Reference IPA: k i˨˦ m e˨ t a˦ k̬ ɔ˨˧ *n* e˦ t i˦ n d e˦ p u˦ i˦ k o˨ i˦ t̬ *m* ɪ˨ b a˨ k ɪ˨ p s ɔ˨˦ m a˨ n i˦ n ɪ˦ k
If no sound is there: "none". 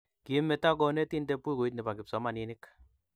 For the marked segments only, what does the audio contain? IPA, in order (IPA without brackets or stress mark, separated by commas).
n, n